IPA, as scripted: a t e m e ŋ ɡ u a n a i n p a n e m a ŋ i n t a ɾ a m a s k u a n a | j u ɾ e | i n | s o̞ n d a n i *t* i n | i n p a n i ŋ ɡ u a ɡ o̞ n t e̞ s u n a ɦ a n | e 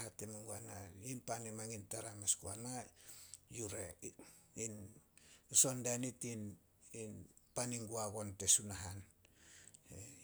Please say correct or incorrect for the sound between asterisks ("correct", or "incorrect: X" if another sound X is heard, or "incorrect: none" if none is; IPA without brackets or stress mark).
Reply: correct